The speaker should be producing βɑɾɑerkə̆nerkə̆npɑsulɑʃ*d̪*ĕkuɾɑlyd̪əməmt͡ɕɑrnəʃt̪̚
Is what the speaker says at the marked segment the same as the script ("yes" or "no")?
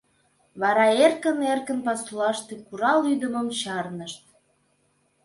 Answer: no